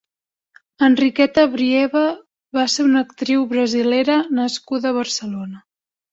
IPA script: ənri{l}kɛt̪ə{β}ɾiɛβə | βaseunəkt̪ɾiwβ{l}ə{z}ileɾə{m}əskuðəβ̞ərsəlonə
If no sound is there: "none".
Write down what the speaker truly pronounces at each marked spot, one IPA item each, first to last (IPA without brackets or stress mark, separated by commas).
none, β, ɾ, z, n